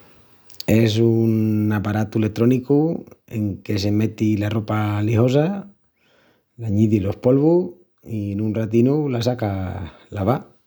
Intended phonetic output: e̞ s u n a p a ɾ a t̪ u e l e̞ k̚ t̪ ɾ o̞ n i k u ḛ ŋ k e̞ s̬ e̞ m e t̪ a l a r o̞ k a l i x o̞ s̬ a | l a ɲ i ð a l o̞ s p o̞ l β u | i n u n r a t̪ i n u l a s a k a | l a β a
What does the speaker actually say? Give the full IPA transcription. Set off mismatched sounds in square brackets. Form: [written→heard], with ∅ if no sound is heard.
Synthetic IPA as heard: e̞ s u n a p a ɾ a t̪ u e l e̞ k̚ t̪ ɾ o̞ n i k u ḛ ŋ k e̞ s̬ e̞ m e t̪ [a→i] l a r o̞ [k→p] a l i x o̞ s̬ a | l a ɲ i ð [a→i] l o̞ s p o̞ l β u | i n u n r a t̪ i n u l a s a k a | l a β a

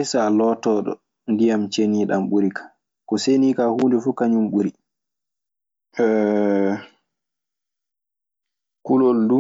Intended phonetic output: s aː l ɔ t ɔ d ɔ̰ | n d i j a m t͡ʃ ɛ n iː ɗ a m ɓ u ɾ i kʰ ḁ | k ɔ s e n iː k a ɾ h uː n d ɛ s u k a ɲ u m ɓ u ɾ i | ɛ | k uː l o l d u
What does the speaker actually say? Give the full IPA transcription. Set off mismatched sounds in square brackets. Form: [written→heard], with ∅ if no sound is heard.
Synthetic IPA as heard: s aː l ɔ t ɔ [d→ɗ] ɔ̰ | n d i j a m t͡ʃ [ɛ→e] n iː ɗ a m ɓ u ɾ i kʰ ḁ | k ɔ s e n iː k a [ɾ→∅] h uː n d ɛ [s→f] u k a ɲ u m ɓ u ɾ i | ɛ | k [uː→u] l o l d u

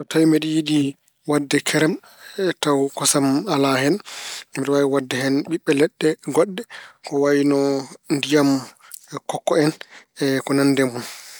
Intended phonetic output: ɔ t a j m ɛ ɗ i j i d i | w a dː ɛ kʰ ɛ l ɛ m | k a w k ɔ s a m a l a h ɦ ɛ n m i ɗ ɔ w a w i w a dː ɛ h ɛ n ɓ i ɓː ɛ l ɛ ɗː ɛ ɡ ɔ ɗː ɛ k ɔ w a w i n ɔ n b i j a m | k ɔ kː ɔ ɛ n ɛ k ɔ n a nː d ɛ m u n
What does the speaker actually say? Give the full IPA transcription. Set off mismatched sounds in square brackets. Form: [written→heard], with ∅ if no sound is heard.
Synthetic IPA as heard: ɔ t a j m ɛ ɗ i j i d i | w a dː ɛ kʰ ɛ [l→ɾ] ɛ m | [k→t] a w k ɔ s a m a l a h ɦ ɛ n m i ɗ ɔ w a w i w a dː ɛ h ɛ n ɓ i ɓː ɛ l ɛ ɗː ɛ ɡ ɔ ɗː ɛ k ɔ w a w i n ɔ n [b→d] i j a m | k ɔ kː ɔ ɛ n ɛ k ɔ n a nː d ɛ m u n

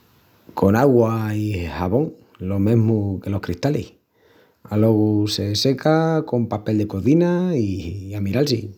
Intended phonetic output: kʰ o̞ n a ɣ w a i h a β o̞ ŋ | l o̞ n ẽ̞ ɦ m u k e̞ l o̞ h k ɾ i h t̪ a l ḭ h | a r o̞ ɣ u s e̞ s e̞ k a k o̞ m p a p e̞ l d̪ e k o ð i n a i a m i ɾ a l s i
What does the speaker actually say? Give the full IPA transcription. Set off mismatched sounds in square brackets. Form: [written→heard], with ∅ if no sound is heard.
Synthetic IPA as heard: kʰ o̞ n a ɣ w a i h a β o̞ ŋ | l o̞ [n→m] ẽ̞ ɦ m u k e̞ l o̞ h k ɾ i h t̪ a l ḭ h | a [r→l] o̞ ɣ u s e̞ s e̞ k a k o̞ m p a p e̞ l d̪ e k o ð i n a i a m i ɾ a l s i

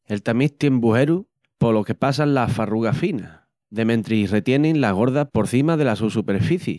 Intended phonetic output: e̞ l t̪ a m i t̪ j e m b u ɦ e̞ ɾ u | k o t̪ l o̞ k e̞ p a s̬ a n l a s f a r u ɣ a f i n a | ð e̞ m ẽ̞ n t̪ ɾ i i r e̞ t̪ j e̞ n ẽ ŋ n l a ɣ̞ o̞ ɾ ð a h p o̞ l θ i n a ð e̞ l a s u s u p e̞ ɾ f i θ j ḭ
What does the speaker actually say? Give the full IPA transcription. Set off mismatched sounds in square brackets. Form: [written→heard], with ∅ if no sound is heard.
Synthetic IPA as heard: e̞ l t̪ a m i t̪ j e m b u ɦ e̞ ɾ u | [k→p] o [t̪→∅] l o̞ k e̞ p a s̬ a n l a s f a r u ɣ a f i n a | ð e̞ m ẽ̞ n t̪ ɾ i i r e̞ t̪ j e̞ n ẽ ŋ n l a ɣ̞ o̞ ɾ ð a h p o̞ [l→ɾ] θ i [n→m] a ð e̞ l a s u s u p e̞ ɾ f i θ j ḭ

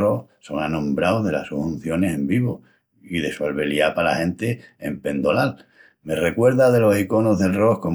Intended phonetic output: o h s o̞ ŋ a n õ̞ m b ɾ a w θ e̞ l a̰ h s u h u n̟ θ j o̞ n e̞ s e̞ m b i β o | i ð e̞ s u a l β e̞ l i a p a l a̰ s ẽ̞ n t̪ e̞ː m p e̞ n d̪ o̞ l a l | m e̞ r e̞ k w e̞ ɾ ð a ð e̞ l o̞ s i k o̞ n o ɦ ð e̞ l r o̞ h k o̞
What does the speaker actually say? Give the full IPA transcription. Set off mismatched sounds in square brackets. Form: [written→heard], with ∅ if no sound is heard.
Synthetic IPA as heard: o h s o̞ ŋ a n õ̞ m b ɾ a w [θ→ð] e̞ l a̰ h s u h u n̟ θ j o̞ n e̞ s e̞ m b i β o | i ð e̞ s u a l β e̞ l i a p a l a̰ [s→h] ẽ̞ n t̪ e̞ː m p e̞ n d̪ o̞ l a l | m e̞ r e̞ k w e̞ ɾ ð a ð e̞ l o̞ s i k o̞ n o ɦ ð e̞ l r o̞ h k o̞

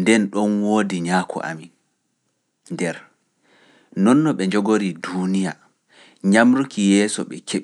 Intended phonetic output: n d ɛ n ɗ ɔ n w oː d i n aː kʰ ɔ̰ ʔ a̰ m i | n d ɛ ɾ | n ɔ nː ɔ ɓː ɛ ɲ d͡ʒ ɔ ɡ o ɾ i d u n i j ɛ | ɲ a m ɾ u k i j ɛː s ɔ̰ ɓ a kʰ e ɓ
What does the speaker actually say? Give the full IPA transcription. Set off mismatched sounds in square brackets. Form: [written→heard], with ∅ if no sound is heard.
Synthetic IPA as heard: n d ɛ n ɗ ɔ n w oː d i [n→ɲ] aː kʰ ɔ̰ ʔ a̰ m i | n d ɛ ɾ | n ɔ nː ɔ [ɓː→ɓ] ɛ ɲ d͡ʒ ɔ ɡ o ɾ i d u n i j [ɛ→a] | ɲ a m ɾ u k i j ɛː s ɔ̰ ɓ [a→ɛ] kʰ e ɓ

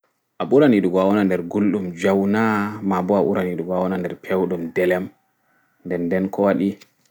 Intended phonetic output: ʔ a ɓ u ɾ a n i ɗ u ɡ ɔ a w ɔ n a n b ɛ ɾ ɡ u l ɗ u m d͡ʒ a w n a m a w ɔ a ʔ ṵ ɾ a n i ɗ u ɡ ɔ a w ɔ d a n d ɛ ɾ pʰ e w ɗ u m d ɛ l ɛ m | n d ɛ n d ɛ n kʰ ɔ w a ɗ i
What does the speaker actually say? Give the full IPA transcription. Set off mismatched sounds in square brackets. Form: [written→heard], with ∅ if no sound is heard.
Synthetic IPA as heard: ʔ a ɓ u ɾ a n i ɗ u ɡ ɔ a w ɔ n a n [b→d] ɛ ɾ ɡ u l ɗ u m d͡ʒ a w n a m a [w→b] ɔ a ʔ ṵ ɾ a n i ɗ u ɡ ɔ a w ɔ [d→n] a n d ɛ ɾ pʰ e w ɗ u m d ɛ l ɛ m | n d ɛ n d ɛ n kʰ ɔ w a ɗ i

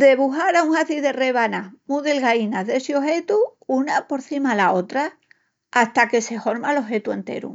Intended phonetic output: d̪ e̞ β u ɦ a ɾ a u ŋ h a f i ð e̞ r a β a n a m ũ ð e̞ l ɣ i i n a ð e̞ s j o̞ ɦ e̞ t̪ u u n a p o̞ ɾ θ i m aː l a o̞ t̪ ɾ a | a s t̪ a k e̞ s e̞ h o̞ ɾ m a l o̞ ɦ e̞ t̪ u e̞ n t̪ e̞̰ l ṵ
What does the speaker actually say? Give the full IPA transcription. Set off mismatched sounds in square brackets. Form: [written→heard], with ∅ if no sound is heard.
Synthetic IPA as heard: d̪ e̞ β u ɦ a ɾ a u ŋ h a [f→θ] i ð e̞ r [a→e] β a n a m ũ ð e̞ l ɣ [i→a] i n a ð e̞ s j o̞ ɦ e̞ t̪ u u n a p o̞ ɾ θ i m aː l a o̞ t̪ ɾ a | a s t̪ a k e̞ s e̞ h o̞ ɾ m a l o̞ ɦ e̞ t̪ u e̞ n t̪ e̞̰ [l→ɾ] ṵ

